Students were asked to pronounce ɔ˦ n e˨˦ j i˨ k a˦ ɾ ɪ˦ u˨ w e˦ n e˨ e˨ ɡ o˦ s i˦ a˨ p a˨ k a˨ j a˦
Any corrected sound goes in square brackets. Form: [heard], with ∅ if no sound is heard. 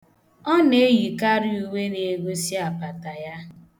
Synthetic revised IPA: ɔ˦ n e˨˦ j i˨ k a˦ ɾ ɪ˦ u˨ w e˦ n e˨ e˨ ɡ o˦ s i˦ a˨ p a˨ [t] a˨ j a˦